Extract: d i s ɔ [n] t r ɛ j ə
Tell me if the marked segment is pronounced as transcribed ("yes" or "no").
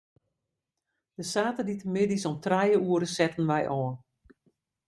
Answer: no